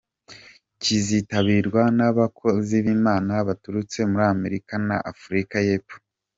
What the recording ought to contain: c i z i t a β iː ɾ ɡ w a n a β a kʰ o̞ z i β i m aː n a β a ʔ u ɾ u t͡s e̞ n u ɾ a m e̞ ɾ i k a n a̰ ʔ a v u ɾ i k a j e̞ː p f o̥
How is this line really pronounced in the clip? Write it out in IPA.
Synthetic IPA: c i z i t a β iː ɾ ɡ w a n a β a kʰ o̞ z i β i m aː n a β a t u ɾ u t͡s e̞ m u ɾ a m e̞ ɾ i k a n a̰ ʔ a f u ɾ i k a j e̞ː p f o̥